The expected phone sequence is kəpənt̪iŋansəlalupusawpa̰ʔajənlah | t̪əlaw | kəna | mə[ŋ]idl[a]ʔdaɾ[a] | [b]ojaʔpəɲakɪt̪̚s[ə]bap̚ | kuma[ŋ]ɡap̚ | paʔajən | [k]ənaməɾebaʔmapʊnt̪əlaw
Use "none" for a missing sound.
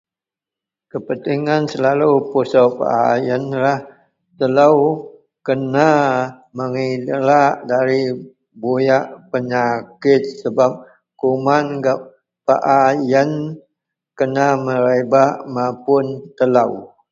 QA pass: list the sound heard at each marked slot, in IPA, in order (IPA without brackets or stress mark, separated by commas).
ŋ, a, i, b, ə, n, k